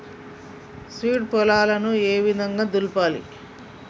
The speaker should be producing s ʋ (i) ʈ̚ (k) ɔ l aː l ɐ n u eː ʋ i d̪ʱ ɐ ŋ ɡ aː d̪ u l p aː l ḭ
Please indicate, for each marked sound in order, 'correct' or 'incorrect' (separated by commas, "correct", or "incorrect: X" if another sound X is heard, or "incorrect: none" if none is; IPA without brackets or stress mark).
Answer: incorrect: iː, incorrect: p